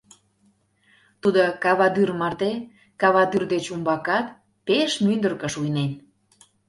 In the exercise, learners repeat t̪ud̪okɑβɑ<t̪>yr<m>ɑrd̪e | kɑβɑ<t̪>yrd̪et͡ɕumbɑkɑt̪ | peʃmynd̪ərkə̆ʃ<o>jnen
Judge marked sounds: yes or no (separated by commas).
no, yes, no, no